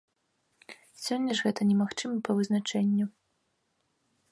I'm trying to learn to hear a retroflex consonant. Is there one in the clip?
yes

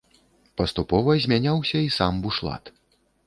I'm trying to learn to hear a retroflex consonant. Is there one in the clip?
yes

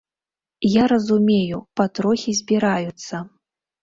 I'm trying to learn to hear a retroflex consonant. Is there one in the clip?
no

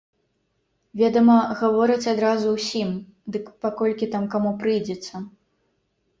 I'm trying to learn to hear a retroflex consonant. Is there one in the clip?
no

